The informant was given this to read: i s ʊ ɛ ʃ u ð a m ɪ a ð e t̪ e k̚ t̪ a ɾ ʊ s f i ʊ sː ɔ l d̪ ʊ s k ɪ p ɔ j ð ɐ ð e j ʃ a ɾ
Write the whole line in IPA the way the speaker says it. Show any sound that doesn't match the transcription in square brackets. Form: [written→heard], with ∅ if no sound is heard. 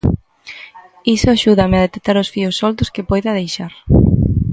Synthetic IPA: i s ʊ [ɛ→a] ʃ u ð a m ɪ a ð e t̪ e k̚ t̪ a ɾ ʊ s f i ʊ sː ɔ l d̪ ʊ s k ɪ p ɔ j ð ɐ ð e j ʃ a ɾ